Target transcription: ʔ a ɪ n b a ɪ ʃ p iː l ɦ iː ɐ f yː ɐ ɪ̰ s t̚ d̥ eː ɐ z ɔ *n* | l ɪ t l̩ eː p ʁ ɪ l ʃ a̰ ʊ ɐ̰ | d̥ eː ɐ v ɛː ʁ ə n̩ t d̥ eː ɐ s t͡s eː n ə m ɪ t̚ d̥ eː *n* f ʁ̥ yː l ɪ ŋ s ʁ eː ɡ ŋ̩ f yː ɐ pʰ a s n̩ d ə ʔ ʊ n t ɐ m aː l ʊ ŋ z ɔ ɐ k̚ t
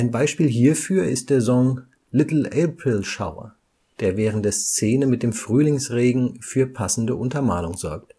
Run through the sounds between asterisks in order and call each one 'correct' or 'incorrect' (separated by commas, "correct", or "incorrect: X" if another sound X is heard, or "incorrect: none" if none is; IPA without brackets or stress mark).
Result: incorrect: ŋ, incorrect: m